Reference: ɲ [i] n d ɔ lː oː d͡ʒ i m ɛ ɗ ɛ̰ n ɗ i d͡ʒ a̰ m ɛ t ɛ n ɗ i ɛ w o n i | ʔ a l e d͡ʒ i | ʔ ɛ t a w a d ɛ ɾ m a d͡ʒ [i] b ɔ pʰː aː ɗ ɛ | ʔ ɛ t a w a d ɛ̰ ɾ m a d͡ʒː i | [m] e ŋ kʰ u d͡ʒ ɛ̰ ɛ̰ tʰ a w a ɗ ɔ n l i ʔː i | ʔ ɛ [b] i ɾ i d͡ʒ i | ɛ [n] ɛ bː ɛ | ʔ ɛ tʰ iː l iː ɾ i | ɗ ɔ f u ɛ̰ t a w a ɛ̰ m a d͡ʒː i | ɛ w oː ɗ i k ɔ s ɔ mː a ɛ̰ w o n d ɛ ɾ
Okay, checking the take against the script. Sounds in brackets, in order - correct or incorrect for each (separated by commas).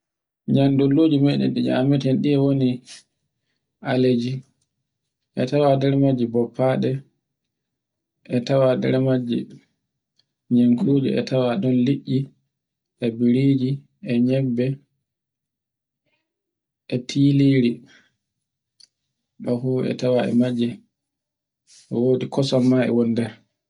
incorrect, correct, incorrect, correct, incorrect